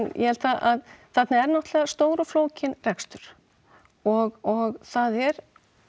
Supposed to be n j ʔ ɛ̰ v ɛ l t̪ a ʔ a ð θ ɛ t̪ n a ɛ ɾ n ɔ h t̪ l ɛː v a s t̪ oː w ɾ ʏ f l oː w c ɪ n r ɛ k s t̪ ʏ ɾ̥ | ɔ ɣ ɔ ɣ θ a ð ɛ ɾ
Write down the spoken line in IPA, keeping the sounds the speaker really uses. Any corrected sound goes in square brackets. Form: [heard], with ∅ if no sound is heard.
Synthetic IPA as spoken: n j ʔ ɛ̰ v ɛ l t̪ a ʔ a ð θ ɛ t̪ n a ɛ ɾ n ɔ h t̪ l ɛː [ɣ] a s t̪ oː w ɾ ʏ f l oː w c ɪ n r ɛ k s t̪ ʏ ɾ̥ | ɔ ɣ ɔ ɣ θ a ð ɛ ɾ